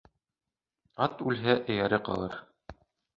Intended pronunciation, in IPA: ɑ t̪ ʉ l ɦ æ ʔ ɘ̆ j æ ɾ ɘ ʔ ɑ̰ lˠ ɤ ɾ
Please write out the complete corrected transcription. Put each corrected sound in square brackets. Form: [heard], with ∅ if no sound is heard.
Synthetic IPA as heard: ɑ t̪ ʉ l ɦ æ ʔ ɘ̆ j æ ɾ ɘ [q] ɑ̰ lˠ ɤ ɾ